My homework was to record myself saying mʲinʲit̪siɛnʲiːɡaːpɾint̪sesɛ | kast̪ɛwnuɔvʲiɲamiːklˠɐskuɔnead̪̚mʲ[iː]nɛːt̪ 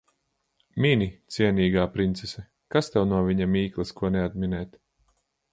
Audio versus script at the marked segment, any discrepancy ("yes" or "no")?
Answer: yes